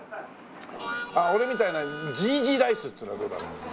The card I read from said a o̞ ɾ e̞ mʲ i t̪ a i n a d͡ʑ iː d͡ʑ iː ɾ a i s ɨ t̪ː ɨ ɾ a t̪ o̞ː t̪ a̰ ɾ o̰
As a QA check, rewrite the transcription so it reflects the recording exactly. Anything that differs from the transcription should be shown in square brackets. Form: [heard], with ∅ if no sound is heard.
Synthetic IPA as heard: a o̞ ɾ e̞ mʲ i t̪ a i n a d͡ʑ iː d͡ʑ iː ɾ a i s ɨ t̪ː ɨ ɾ a [d̪] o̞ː [d̪] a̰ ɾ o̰